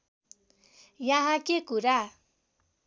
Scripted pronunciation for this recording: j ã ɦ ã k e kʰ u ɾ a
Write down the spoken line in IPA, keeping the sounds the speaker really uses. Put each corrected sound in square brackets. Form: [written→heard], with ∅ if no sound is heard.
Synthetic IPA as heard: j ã ɦ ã k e [kʰ→k] u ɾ a